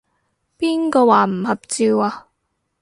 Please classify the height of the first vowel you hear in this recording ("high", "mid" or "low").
high